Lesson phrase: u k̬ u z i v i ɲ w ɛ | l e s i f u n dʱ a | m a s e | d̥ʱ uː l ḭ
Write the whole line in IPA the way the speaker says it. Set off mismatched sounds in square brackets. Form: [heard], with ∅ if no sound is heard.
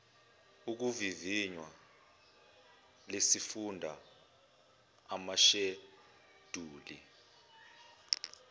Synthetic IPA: u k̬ u [v] i v i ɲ w [a] | l e s i f u n dʱ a | m a [ʃ] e | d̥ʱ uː l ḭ